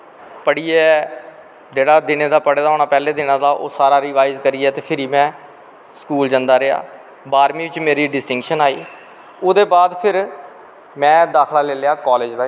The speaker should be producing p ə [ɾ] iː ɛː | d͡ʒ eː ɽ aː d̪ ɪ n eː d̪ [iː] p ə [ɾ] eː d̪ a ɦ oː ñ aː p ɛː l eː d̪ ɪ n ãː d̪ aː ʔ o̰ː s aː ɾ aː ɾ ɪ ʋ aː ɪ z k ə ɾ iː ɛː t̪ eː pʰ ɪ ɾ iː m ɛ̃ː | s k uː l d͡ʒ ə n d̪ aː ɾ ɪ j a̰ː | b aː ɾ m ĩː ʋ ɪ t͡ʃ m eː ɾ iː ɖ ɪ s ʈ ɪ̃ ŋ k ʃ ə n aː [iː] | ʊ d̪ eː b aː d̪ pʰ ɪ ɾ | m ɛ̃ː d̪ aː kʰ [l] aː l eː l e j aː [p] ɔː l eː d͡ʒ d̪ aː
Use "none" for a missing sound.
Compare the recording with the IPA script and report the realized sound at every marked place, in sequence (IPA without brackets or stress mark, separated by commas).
ɽ, aː, ɽ, iː, l, k